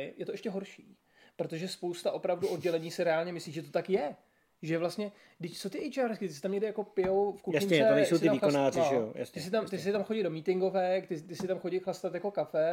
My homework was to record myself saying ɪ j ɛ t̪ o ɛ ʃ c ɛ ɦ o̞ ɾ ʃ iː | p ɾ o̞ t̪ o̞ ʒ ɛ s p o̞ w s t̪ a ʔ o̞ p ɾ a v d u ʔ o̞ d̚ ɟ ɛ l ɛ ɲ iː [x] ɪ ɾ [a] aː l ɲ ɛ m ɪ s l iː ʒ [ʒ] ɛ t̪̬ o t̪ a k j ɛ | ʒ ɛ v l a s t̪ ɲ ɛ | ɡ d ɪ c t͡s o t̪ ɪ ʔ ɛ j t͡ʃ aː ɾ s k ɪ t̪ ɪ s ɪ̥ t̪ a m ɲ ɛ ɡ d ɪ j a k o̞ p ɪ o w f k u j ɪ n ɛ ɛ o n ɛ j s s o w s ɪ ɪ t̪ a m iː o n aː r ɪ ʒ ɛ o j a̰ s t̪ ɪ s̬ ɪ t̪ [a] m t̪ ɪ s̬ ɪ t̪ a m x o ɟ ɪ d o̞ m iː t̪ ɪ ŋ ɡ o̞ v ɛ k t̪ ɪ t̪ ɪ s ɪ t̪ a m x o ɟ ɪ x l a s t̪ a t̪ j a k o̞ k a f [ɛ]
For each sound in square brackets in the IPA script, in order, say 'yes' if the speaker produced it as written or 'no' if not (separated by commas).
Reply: no, no, yes, yes, yes